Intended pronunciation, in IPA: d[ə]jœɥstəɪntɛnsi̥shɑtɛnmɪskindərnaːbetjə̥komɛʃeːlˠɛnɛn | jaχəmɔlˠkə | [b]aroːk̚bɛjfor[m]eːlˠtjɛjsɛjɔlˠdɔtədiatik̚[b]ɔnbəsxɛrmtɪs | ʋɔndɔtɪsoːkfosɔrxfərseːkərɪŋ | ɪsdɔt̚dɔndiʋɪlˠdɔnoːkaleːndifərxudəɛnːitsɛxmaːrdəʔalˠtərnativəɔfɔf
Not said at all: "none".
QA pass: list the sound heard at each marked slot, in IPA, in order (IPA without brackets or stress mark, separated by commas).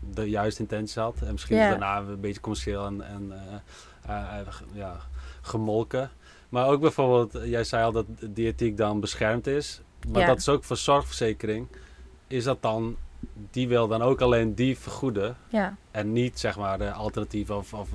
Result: ə, m, b, d